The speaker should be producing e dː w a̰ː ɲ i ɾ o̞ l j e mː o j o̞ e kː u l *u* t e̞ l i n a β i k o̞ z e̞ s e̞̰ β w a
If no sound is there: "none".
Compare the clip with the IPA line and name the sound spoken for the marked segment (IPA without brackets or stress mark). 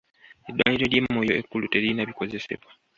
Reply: u